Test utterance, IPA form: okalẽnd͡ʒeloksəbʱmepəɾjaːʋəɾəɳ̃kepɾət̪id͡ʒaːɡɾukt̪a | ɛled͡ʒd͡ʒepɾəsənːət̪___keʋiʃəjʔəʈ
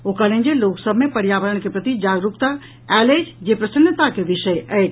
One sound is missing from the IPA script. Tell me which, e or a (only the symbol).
a